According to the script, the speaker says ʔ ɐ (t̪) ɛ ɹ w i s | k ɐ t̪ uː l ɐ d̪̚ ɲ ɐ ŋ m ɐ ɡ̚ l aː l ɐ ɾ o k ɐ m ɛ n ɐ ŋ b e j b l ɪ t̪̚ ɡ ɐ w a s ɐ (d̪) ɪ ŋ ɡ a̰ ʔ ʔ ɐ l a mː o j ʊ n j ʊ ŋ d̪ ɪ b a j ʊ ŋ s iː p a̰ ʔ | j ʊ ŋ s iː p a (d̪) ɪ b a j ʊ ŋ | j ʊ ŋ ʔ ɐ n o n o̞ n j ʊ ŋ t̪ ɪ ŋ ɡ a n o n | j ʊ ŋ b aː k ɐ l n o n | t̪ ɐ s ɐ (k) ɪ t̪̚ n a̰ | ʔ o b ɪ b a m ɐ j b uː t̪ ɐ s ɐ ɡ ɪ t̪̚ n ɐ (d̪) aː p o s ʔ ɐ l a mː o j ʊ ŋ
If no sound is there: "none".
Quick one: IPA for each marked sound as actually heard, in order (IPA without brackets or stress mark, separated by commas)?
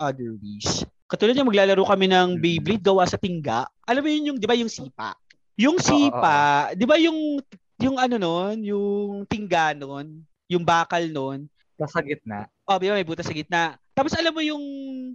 d̪, t̪, d̪, ɡ, t̪